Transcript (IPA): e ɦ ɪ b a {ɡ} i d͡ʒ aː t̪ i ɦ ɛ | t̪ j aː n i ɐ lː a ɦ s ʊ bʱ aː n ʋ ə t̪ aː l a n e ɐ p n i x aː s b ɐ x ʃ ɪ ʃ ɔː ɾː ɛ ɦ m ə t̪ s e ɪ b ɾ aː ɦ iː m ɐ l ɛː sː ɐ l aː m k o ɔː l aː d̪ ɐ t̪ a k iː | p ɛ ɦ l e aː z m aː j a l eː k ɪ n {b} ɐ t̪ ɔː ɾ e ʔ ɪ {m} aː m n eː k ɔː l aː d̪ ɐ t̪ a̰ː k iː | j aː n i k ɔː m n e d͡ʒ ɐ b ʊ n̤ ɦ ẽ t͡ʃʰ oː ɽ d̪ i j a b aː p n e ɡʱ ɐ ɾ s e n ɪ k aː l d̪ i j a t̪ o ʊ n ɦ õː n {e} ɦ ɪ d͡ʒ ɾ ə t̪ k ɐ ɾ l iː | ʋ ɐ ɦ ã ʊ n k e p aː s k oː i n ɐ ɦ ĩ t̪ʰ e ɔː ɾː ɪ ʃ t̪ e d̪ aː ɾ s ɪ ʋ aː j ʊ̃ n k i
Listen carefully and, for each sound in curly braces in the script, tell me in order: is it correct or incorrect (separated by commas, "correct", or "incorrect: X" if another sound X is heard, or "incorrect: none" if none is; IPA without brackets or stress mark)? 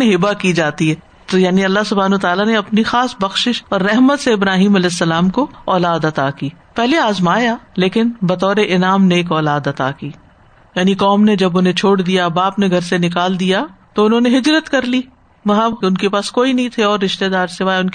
incorrect: k, correct, incorrect: n, correct